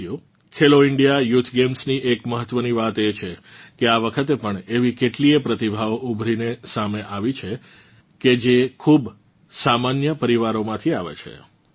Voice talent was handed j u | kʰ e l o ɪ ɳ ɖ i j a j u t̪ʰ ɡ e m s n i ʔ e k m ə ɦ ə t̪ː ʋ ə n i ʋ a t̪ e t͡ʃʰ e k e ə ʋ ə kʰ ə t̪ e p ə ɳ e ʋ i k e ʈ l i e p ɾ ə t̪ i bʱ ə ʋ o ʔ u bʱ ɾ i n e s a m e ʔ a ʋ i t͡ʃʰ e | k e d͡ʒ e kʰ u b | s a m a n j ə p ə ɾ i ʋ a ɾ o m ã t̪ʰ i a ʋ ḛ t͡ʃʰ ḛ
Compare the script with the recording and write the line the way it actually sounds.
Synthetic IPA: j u | kʰ e l o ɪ ɳ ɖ i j a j u t̪ʰ ɡ e m s n i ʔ e k m ə ɦ ə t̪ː ʋ ə n i ʋ a t̪ e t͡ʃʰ e k e a ʋ ə kʰ ə t̪ e p ə ɳ e ʋ i k e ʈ l i e p ɾ ə t̪ i bʱ a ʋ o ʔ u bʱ ɾ i n e s a m e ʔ a ʋ i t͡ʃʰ e | k e d͡ʒ e kʰ u b | s a m a n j ə p ə ɾ i ʋ a ɾ o m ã t̪ʰ i a ʋ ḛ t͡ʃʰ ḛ